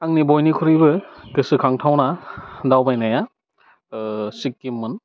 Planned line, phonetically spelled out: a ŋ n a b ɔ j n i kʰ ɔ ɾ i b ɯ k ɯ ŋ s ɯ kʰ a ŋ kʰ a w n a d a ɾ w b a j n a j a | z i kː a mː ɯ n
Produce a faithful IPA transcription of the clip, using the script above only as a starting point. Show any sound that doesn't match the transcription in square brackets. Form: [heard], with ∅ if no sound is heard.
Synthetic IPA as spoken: a ŋ n [i] b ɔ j n i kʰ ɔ ɾ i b ɯ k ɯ [∅] s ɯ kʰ a ŋ [tʰ] a w n a d a [∅] w b a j n a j a | [s] i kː [i] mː ɯ n